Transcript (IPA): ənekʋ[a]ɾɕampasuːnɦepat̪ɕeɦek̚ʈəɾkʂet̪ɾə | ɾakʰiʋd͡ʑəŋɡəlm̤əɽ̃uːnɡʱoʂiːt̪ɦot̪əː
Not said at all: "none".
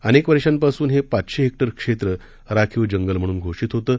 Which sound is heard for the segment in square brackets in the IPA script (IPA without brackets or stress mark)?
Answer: ə